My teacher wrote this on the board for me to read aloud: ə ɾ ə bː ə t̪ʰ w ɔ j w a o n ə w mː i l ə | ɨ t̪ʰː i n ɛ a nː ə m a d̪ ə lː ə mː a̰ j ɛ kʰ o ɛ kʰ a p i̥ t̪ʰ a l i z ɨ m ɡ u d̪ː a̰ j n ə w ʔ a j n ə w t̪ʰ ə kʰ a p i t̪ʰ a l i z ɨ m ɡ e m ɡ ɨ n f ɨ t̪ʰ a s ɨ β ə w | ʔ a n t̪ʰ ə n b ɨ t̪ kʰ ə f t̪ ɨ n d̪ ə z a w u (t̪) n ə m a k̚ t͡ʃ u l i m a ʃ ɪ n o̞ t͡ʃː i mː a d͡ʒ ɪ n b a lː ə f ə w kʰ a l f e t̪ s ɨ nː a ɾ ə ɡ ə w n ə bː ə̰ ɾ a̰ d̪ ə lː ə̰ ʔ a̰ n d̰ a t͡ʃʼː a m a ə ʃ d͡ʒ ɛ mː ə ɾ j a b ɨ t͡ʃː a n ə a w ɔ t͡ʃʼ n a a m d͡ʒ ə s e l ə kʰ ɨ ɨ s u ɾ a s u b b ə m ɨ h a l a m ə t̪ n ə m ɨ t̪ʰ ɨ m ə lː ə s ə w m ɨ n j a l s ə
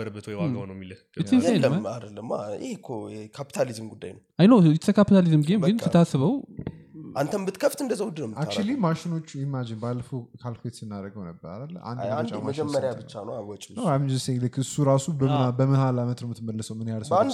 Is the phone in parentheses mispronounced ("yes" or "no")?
yes